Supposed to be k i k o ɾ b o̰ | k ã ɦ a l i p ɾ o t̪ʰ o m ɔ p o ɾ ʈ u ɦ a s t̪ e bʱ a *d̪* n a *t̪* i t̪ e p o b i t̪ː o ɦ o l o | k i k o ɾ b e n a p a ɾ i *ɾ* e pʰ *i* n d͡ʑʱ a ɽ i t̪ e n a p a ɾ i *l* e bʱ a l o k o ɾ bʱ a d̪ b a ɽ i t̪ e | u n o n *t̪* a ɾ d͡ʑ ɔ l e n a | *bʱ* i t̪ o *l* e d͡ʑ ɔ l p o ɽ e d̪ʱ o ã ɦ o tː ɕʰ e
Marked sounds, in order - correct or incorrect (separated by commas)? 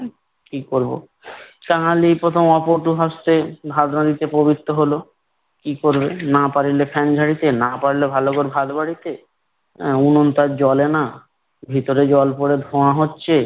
correct, incorrect, incorrect, incorrect, correct, correct, correct, incorrect